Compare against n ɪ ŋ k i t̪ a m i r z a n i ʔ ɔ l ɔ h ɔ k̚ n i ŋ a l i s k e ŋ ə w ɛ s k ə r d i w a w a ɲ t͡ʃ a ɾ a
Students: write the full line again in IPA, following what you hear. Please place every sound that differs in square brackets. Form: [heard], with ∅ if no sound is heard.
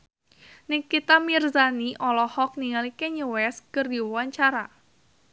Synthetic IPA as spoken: n ɪ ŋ k i t̪ a m i r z a n i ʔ ɔ l ɔ h ɔ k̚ n i ŋ a l i [∅] k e [ɲ] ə w ɛ s k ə r d i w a w a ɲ t͡ʃ a ɾ a